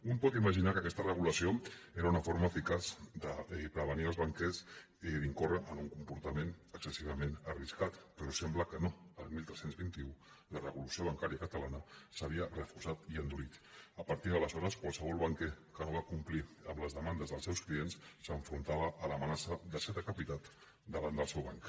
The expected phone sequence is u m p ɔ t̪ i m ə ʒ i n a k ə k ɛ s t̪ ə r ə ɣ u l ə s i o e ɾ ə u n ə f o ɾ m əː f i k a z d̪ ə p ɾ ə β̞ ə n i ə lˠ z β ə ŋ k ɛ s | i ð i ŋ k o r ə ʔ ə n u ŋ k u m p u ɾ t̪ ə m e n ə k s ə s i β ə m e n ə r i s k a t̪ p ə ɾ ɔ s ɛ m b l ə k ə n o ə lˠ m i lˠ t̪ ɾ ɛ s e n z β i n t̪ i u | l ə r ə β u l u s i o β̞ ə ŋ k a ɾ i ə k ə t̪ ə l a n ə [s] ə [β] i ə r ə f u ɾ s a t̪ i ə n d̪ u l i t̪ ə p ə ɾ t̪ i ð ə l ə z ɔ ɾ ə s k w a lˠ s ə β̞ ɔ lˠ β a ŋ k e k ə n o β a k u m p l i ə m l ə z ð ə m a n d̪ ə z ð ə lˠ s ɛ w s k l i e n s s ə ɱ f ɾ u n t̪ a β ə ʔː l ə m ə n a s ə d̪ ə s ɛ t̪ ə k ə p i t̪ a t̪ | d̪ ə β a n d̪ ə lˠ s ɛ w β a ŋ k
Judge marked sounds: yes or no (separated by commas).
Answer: yes, yes